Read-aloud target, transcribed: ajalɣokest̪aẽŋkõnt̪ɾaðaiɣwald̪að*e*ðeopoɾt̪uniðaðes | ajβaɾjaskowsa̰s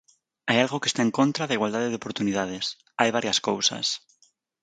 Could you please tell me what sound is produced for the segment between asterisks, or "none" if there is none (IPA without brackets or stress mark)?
e